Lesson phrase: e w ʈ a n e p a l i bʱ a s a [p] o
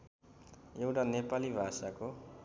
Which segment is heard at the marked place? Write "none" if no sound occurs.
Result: k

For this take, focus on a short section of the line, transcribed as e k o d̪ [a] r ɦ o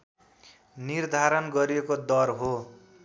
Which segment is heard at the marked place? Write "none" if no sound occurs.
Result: ʌ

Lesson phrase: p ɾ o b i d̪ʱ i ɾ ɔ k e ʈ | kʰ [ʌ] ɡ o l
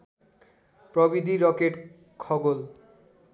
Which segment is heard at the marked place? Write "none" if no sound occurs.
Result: ɔ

